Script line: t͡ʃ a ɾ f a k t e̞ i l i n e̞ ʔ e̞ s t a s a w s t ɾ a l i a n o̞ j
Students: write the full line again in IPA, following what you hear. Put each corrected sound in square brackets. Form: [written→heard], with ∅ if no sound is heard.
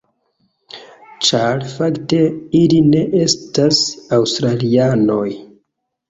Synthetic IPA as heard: t͡ʃ a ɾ f a k t e̞ i l i n e̞ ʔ e̞ s t a s a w s t ɾ a l i a n o̞ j